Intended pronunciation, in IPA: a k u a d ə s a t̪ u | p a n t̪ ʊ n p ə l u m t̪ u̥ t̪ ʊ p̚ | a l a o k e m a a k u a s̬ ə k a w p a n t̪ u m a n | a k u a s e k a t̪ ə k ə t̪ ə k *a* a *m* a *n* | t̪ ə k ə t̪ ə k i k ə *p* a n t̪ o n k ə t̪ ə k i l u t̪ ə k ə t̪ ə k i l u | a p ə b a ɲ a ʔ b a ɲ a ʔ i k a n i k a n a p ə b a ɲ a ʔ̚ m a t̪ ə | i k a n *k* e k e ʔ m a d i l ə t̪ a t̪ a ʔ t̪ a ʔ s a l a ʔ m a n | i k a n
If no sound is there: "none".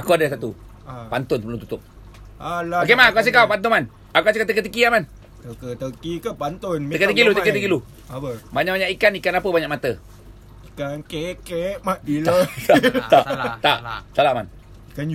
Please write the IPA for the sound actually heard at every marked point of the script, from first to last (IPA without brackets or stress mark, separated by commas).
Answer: i, m, n, p, k